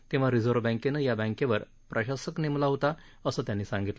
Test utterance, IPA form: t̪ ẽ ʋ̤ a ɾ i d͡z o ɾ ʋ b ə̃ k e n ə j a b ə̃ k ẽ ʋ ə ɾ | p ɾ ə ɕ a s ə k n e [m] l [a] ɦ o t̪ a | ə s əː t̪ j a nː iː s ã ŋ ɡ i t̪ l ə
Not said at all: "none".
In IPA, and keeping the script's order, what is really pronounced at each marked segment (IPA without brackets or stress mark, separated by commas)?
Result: m, a